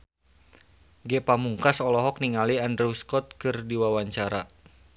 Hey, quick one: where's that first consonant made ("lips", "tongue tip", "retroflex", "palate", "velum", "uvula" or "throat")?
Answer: velum